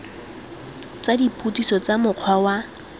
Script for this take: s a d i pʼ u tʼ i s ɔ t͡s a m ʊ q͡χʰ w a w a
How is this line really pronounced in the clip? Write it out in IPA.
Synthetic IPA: t͡s a d i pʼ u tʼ i s ɔ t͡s a m ʊ q͡χʰ w a w a